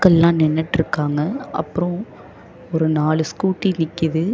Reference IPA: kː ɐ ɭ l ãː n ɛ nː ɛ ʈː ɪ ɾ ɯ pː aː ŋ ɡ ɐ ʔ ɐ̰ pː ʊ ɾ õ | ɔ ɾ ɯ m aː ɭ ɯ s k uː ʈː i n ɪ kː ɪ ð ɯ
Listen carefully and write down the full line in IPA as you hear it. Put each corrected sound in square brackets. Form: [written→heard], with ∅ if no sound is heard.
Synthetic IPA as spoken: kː ɐ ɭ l ãː n ɛ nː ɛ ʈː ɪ ɾ ɯ [pː→kː] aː ŋ ɡ ɐ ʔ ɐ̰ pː [ʊ→ɯ] ɾ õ | ɔ ɾ ɯ [m→n] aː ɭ ɯ s k uː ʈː i n ɪ kː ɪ ð ɯ

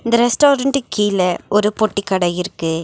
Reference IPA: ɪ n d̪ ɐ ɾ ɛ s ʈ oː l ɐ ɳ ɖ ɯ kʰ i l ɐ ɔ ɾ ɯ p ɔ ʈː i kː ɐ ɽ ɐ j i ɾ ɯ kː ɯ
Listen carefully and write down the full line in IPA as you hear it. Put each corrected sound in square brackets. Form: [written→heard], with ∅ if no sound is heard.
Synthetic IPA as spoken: ɪ n d̪ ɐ ɾ ɛ s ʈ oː [l→ɾ] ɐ ɳ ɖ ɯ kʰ [i→iː] l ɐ ɔ ɾ ɯ p ɔ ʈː i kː ɐ ɽ ɐ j [i→ɪ] ɾ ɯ kː ɯ

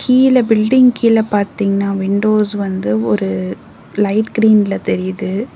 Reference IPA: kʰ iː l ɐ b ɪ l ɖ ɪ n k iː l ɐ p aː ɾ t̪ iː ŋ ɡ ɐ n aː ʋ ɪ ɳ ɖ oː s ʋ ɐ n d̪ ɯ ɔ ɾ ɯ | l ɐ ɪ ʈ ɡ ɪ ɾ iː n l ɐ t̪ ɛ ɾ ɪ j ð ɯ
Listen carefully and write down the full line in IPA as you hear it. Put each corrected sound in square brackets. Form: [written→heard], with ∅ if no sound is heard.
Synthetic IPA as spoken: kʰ iː l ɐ b ɪ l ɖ ɪ [n→ŋ] k iː l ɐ p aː ɾ t̪ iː ŋ ɡ ɐ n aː ʋ ɪ ɳ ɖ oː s ʋ ɐ n d̪ ɯ ɔ ɾ ɯ | l ɐ ɪ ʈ ɡ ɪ ɾ iː n l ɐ t̪ ɛ ɾ ɪ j ð ɯ

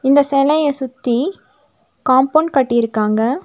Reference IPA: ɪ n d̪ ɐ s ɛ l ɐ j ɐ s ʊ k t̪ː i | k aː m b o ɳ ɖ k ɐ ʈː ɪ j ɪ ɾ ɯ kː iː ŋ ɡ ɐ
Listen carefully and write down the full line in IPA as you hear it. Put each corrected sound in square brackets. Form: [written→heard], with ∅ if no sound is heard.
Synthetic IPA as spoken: ɪ n d̪ ɐ s ɛ l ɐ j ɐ s ʊ [k→∅] t̪ː i | k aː m [b→p] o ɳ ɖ k ɐ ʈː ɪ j ɪ ɾ ɯ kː [iː→aː] ŋ ɡ ɐ

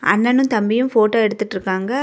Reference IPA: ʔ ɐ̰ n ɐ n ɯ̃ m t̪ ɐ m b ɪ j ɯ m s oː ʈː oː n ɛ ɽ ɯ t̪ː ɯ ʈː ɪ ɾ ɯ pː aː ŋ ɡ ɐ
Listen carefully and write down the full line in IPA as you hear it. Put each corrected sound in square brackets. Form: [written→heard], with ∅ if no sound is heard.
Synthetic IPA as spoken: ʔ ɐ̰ [n→nː] ɐ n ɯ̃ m t̪ ɐ m b ɪ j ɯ m [s→f] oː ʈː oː [n→∅] ɛ ɽ ɯ t̪ː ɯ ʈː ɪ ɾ ɯ [pː→kː] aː ŋ ɡ ɐ

